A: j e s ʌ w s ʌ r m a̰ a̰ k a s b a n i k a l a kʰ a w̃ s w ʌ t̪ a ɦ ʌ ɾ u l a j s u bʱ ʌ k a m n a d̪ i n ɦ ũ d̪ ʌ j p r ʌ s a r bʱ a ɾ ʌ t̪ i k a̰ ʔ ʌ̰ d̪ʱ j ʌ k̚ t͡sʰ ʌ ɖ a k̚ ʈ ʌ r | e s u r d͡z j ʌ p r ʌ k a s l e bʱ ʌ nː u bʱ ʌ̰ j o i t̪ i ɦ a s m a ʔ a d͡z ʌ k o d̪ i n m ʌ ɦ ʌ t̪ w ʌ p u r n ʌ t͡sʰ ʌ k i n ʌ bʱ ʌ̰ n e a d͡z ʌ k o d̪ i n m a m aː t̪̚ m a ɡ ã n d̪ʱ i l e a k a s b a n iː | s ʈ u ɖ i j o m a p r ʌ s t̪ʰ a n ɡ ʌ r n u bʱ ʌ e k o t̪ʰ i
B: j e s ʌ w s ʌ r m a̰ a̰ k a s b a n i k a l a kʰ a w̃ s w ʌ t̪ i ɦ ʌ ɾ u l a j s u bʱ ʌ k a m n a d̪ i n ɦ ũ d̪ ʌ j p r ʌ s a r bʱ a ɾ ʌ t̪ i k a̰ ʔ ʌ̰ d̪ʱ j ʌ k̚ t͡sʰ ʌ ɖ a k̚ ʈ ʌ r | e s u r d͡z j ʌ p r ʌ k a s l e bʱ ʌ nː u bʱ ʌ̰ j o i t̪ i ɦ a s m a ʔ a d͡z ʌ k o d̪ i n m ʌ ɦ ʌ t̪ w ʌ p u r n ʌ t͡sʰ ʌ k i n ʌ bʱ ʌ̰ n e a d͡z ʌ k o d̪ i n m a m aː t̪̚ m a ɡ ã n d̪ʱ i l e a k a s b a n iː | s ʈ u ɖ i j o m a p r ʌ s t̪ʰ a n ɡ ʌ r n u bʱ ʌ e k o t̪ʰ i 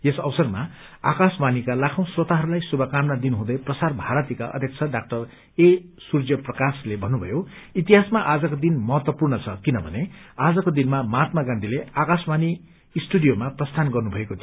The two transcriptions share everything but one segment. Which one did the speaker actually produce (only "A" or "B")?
A